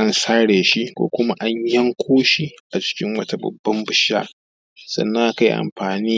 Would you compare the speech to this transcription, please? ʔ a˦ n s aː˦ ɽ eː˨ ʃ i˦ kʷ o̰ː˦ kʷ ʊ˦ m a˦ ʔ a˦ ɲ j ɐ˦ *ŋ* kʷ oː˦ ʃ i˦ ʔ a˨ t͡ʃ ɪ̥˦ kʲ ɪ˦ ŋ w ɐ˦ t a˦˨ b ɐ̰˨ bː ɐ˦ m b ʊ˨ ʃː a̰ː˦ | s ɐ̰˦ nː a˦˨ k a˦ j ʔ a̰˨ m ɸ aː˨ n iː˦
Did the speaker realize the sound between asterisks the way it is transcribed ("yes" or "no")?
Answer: yes